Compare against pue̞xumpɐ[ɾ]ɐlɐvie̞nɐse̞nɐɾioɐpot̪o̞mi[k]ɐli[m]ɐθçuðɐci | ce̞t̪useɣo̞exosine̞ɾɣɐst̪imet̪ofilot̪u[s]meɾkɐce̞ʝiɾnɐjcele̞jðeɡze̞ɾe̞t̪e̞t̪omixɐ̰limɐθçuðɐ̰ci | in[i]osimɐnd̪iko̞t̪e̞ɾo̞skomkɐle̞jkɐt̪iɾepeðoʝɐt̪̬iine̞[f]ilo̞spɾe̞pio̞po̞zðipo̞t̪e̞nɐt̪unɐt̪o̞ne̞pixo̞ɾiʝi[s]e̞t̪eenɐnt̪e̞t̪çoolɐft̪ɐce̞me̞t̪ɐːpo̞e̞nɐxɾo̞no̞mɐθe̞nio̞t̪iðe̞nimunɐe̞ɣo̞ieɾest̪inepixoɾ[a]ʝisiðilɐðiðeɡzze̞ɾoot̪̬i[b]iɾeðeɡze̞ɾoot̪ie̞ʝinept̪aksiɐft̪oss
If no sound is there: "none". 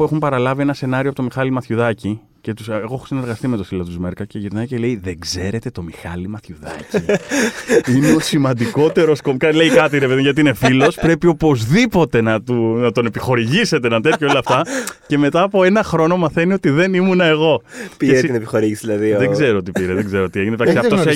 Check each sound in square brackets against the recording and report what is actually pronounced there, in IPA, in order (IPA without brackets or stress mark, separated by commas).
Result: ɾ, x, m, z, e, f, s, i, p